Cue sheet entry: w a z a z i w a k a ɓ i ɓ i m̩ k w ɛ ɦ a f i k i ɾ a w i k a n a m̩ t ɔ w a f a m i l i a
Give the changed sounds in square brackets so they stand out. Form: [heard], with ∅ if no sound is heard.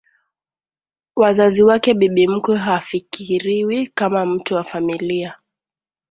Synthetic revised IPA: w a z a z i w a k [ɛ] ɓ i ɓ i m̩ k w ɛ ɦ a f i k i ɾ [i] w i k a [m] a m̩ t [u] w a f a m i l i a